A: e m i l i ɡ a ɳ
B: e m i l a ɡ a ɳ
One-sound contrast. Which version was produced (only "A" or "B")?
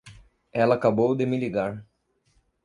A